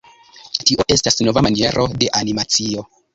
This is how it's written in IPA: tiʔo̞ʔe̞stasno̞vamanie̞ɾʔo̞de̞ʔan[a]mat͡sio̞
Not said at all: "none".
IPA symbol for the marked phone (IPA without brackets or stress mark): i